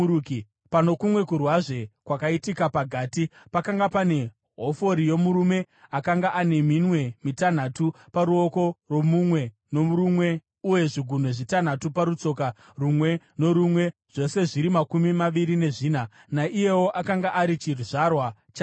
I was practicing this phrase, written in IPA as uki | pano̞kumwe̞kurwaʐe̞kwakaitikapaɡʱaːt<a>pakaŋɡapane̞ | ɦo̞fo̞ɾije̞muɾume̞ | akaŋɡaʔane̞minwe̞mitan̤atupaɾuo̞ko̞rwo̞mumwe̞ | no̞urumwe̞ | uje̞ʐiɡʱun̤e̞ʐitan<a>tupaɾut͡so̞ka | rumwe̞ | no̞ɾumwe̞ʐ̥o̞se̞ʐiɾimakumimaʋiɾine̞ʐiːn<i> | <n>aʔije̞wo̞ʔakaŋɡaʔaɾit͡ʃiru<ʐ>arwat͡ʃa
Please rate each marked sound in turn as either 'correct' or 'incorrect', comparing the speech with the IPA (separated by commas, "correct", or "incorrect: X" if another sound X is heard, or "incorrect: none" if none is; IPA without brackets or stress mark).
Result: incorrect: i, correct, incorrect: a, correct, correct